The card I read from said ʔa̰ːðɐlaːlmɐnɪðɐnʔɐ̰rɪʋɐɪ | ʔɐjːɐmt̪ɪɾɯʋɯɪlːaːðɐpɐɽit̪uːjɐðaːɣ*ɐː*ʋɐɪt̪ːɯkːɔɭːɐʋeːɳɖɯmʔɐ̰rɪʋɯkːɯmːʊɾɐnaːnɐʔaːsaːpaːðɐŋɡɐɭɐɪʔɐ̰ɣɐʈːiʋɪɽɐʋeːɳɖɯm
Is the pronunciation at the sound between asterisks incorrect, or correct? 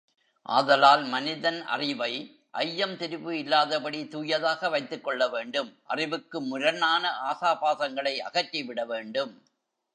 incorrect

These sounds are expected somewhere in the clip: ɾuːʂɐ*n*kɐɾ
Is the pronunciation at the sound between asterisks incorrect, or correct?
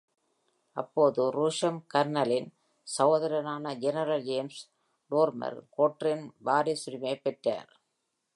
incorrect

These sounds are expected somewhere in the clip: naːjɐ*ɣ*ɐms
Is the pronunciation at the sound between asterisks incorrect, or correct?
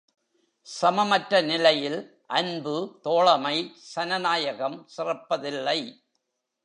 correct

